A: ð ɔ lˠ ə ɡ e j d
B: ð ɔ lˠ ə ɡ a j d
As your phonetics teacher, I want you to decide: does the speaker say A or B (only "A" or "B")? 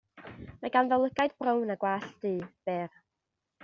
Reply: B